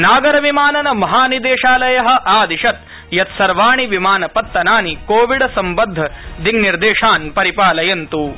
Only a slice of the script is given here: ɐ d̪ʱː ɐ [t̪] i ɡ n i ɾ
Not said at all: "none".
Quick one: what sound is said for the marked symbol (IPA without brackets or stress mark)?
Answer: d̪